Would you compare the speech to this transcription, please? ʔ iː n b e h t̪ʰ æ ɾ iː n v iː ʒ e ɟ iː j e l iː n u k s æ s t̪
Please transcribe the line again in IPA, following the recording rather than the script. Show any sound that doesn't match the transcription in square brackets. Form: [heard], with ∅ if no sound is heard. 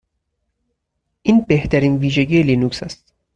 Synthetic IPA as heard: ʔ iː n b e h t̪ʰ æ ɾ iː n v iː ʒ e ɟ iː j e l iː n u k s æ s t̪